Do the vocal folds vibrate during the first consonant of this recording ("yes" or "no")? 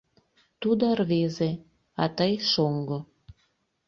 no